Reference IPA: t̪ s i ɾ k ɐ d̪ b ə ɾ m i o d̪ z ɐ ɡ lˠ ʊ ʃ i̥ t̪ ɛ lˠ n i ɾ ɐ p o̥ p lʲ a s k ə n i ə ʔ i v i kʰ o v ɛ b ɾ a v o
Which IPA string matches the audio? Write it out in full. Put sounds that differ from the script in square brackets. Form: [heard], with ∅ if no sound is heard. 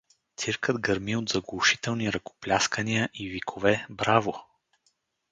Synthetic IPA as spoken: t̪ s i ɾ k [ə] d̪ [ɡ] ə ɾ m i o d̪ z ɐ ɡ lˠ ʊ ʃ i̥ t̪ ɛ lˠ n i ɾ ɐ [k] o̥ p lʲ a s k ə n i ə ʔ i v i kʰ o v ɛ b ɾ a v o

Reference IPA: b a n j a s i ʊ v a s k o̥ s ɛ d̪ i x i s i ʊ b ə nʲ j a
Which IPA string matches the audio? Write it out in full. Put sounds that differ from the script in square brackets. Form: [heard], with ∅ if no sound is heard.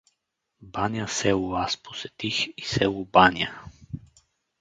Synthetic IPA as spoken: b a n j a s [ɛ] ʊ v a s [p] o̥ s ɛ [t̪] i x i s [ɛ] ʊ b [a] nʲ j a

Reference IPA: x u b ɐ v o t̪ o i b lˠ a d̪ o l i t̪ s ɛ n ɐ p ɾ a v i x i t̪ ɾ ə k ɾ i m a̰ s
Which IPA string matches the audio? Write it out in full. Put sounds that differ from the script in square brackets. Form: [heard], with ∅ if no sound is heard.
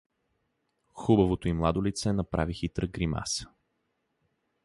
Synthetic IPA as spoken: x u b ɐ v o t̪ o i [m] lˠ a d̪ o l i t̪ s ɛ n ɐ p ɾ a v i x i t̪ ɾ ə [ɡ] ɾ i m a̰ s

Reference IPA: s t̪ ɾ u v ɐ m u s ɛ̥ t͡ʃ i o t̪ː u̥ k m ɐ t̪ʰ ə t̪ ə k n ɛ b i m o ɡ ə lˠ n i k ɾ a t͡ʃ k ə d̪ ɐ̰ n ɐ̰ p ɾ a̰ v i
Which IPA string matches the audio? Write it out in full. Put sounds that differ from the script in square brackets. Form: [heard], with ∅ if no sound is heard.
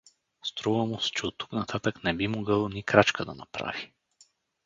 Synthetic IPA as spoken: s t̪ ɾ u v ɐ m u s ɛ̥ t͡ʃ [ɛ] o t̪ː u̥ k [n] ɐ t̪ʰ [a] t̪ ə k n ɛ b i m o ɡ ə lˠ n i k ɾ a t͡ʃ k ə d̪ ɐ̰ n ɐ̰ p ɾ a̰ v i

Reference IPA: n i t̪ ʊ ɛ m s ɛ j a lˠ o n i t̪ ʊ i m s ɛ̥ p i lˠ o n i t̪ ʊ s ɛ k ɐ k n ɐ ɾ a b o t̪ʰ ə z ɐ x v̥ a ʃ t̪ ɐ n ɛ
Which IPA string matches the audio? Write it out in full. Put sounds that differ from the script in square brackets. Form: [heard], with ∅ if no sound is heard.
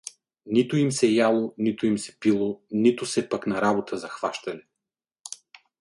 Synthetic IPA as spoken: n i t̪ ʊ [i] m s ɛ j a lˠ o n i t̪ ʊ i m s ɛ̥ p i lˠ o n i t̪ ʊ s ɛ [p] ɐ k n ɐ ɾ a b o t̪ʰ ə z ɐ x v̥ a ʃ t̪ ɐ n ɛ

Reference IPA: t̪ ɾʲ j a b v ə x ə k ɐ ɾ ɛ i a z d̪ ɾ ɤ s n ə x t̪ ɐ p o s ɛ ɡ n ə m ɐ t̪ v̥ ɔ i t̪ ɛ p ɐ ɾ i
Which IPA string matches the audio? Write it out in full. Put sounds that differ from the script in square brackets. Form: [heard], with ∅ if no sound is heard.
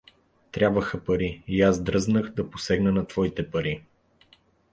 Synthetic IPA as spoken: t̪ ɾʲ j a b v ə x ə [p] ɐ ɾ [i] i a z d̪ ɾ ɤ [z] n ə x [d̪] ɐ p o s ɛ ɡ n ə [n] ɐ t̪ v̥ ɔ i t̪ ɛ p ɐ ɾ i

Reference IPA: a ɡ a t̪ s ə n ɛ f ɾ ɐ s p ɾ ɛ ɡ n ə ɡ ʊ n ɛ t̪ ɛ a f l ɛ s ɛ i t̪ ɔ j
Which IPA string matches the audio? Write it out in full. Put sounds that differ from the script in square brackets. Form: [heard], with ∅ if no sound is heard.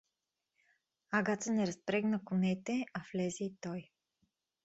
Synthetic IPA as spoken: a ɡ a t̪ s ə n ɛ [∅] ɾ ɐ s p ɾ ɛ ɡ n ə [k] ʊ n ɛ t̪ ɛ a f l ɛ [z] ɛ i t̪ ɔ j

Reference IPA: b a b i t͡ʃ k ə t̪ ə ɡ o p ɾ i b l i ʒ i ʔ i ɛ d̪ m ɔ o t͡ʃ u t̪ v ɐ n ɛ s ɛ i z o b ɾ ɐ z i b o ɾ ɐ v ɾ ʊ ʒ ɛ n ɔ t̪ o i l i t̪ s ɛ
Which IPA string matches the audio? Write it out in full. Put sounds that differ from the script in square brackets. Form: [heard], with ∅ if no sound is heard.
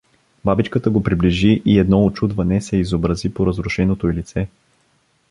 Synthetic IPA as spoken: b a b i t͡ʃ k ə t̪ ə ɡ o p ɾ i b l i ʒ i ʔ i ɛ d̪ [n] ɔ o t͡ʃ u [d̪] v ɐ n ɛ s ɛ i z o b ɾ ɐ z i [p] o ɾ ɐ [z] ɾ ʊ [ʃ] ɛ n [o] t̪ o i l i t̪ s ɛ

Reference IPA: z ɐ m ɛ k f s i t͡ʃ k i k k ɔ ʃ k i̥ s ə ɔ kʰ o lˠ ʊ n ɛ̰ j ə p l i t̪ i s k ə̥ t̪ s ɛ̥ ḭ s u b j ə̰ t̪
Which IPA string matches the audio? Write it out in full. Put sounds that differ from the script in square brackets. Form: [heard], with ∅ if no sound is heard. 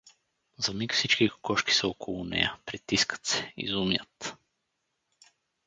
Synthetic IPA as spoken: z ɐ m [i] k f s i t͡ʃ k i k k ɔ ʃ k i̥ s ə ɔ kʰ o lˠ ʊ n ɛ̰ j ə p [ɾ] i t̪ i s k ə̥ t̪ s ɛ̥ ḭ [z] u [m] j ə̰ t̪

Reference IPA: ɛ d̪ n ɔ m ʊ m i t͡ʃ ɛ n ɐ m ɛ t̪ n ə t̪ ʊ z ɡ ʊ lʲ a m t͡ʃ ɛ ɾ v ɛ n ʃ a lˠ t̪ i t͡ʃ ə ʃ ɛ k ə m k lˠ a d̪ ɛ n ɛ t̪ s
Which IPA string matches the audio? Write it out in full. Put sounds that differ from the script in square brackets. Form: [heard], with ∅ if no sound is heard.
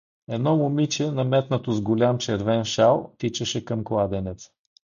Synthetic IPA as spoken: ɛ d̪ n ɔ m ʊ m i t͡ʃ ɛ n ɐ m ɛ t̪ n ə t̪ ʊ z ɡ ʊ lʲ a m t͡ʃ ɛ ɾ v ɛ n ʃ a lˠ t̪ i t͡ʃ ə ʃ ɛ k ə m k lˠ a d̪ ɛ n ɛ t̪ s

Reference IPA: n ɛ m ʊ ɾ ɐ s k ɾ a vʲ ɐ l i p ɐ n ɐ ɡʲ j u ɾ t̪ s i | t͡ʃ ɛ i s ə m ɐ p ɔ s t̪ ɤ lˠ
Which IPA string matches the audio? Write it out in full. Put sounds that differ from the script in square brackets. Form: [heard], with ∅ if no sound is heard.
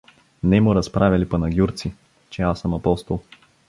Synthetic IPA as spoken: n ɛ m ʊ ɾ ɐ s [p] ɾ a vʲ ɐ l i p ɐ n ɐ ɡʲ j u ɾ t̪ s i | t͡ʃ ɛ [a] s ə m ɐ p ɔ s t̪ [o] lˠ

